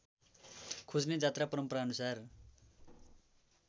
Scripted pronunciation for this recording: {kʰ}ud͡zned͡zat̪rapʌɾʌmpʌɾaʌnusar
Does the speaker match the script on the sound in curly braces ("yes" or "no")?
yes